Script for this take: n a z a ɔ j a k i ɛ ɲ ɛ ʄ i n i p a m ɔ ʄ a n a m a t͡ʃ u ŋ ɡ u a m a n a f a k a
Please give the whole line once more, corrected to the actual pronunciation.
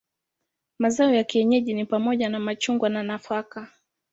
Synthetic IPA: m a z a ɔ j a k i ɛ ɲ ɛ ʄ i n i p a m ɔ ʄ a n a m a t͡ʃ u ŋ ɡ w a n a n a f a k a